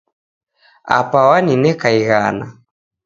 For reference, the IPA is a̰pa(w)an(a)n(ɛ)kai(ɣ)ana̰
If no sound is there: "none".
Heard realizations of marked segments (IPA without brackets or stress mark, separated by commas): w, i, ɛ, ɣ